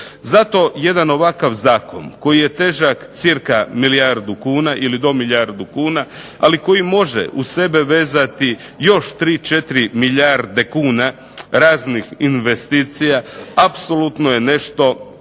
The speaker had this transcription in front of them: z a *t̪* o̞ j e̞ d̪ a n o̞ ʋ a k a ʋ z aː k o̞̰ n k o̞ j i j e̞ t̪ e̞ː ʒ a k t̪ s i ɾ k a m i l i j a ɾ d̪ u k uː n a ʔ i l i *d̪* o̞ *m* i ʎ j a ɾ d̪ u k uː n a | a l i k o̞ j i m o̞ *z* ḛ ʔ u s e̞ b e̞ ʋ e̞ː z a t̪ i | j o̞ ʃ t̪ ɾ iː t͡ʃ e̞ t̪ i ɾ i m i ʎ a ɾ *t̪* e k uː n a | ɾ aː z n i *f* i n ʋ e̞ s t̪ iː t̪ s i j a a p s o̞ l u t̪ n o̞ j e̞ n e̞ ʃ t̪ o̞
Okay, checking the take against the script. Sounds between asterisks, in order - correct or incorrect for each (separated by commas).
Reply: correct, correct, correct, incorrect, incorrect, incorrect